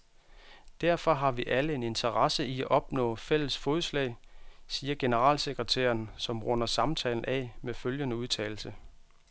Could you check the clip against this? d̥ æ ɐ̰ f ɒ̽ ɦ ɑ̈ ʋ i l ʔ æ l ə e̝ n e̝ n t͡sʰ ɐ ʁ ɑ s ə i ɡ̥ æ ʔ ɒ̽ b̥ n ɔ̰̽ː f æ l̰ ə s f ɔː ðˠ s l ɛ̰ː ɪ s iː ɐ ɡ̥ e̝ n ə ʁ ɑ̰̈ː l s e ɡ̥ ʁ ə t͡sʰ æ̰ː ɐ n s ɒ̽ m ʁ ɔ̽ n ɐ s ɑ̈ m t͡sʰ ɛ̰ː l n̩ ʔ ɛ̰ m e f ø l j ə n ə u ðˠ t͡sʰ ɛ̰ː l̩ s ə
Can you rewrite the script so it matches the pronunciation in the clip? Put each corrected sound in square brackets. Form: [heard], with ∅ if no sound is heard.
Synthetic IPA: d̥ æ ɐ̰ f ɒ̽ ɦ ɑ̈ ʋ i [∅] ʔ æ l ə e̝ n e̝ n t͡sʰ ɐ ʁ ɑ s ə i [∅] æ ʔ ɒ̽ b̥ n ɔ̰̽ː f [e] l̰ ə s f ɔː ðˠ s l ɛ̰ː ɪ s iː ɐ ɡ̥ e̝ n ə ʁ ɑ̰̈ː l s e ɡ̥ ʁ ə t͡sʰ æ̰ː ɐ n s ɒ̽ m ʁ ɔ̽ n ɐ s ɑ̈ m t͡sʰ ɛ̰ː l n̩ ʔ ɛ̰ m e f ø l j ə n ə u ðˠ t͡sʰ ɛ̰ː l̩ s ə